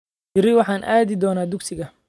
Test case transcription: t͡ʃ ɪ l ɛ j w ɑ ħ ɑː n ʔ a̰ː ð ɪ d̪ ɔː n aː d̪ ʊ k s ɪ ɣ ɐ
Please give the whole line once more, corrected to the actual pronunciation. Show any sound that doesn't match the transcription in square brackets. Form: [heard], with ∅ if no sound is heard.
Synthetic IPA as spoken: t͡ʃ ɪ [ɾ] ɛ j w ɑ ħ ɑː n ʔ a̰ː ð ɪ d̪ ɔː n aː d̪ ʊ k s ɪ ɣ ɐ